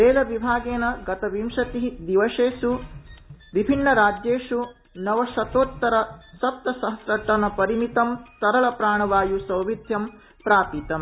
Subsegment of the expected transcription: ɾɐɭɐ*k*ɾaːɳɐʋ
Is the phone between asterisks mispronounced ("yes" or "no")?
yes